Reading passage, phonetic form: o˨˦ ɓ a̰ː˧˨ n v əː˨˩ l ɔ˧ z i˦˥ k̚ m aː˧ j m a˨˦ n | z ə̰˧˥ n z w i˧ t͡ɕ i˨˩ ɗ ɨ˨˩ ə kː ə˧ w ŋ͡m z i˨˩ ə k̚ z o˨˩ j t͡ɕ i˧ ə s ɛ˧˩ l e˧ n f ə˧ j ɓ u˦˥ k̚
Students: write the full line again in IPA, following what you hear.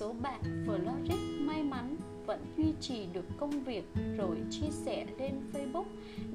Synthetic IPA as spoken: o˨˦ ɓ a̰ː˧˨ n v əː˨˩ l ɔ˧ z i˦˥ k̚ m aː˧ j m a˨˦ n | v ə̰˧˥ n z w i˧ t͡ɕ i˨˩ ɗ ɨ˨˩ ə kː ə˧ w ŋ͡m v i˨˩ ə k̚ z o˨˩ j t͡ɕ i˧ ə s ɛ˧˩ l e˧ n f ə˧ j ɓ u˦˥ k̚